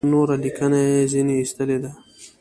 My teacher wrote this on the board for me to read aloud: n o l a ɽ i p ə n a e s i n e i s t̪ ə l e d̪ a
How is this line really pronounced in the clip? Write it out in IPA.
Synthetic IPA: n o ɾ a l i k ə n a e z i n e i s t̪ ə l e d̪ a